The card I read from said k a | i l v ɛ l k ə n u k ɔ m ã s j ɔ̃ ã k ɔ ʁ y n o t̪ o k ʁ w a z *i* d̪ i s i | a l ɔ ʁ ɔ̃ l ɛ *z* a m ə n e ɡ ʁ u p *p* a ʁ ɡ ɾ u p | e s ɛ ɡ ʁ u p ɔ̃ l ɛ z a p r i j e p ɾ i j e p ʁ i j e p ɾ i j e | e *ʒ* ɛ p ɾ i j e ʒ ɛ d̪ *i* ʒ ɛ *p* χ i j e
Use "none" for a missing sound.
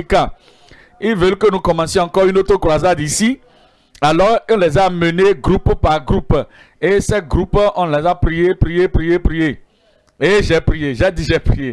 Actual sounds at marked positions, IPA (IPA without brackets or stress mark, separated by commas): a, z, p, ʒ, i, p